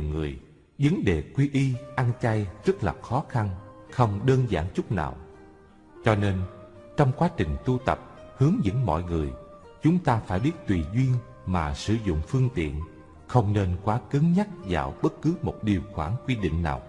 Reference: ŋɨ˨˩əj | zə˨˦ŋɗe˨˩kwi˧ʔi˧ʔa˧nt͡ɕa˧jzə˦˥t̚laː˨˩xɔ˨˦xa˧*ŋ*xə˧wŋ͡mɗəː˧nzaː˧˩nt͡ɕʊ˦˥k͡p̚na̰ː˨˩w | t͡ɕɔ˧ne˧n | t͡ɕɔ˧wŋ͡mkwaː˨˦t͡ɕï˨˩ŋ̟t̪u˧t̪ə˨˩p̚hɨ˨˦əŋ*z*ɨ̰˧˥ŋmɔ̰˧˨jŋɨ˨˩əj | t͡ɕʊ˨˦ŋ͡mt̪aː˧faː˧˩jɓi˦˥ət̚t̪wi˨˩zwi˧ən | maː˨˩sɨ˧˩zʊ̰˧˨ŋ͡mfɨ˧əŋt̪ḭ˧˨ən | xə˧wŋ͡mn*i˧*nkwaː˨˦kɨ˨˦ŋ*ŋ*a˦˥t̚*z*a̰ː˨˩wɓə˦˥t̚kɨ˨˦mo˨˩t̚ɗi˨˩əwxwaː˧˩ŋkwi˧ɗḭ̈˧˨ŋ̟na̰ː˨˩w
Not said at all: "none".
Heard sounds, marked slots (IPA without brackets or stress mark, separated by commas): n, z, e˧, ɲ, z